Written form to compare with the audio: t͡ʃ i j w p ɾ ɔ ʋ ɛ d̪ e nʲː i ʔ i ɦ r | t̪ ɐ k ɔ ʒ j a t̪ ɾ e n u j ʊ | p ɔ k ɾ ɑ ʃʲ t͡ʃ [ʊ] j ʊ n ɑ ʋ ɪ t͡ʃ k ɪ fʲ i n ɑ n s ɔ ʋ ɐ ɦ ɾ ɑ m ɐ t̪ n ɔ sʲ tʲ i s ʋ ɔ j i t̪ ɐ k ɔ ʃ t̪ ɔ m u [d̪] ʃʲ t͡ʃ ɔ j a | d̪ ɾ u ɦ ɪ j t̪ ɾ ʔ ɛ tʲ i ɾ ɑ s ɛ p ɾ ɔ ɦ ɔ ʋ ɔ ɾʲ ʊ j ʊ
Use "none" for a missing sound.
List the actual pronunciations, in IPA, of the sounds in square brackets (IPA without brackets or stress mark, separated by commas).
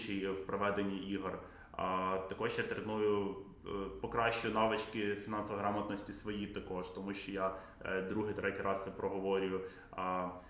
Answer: ʊ, none